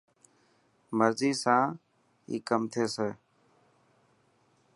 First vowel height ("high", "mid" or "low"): mid